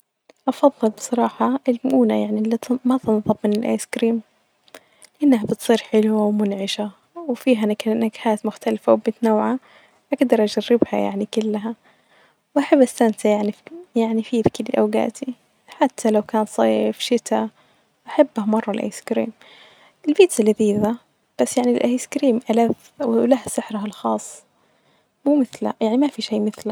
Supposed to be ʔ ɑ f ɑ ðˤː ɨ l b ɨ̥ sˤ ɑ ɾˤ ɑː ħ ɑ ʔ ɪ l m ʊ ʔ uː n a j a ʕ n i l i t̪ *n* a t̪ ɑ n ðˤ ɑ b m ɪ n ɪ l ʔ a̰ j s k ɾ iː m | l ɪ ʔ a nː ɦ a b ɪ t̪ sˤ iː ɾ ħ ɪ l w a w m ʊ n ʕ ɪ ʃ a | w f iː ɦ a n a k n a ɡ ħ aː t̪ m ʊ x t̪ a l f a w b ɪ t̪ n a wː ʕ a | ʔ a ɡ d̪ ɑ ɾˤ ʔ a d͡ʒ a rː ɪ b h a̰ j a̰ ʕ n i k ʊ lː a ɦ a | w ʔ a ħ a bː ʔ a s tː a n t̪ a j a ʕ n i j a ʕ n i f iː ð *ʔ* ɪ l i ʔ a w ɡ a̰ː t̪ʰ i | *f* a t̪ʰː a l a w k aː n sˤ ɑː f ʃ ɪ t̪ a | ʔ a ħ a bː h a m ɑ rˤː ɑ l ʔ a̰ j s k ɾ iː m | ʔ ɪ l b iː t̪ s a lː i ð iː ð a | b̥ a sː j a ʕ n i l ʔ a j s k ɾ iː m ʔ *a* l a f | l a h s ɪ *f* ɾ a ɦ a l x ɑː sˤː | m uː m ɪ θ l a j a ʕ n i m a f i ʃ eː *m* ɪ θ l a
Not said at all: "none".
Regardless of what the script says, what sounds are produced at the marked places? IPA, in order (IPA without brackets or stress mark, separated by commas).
m, k, ħ, a, ħ, m